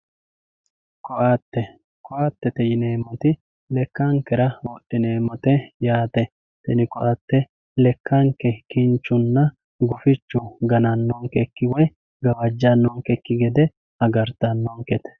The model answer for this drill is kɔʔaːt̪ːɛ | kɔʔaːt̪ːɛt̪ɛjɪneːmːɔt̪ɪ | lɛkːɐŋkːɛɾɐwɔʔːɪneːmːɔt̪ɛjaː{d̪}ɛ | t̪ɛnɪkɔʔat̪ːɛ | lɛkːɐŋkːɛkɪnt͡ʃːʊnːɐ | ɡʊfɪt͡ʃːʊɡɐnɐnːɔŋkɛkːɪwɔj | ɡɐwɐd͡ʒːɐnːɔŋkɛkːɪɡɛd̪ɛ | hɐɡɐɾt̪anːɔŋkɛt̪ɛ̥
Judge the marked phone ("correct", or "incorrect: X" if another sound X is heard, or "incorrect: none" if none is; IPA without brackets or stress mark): incorrect: t̪